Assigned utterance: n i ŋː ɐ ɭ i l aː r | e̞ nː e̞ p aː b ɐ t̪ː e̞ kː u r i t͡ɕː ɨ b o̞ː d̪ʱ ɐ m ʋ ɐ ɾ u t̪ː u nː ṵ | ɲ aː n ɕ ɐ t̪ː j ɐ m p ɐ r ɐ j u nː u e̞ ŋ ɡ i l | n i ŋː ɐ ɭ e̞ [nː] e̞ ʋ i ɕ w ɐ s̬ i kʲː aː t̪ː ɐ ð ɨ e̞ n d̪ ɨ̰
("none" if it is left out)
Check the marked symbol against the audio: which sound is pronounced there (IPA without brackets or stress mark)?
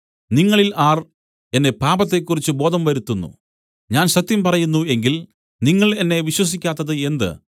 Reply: nː